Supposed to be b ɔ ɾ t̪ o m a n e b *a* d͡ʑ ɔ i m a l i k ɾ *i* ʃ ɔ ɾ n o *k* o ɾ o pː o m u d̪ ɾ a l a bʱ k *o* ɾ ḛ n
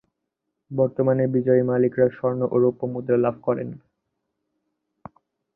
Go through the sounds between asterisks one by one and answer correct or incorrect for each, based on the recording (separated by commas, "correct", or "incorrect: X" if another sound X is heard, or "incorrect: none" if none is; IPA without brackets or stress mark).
incorrect: i, incorrect: a, incorrect: ʔ, incorrect: ɔ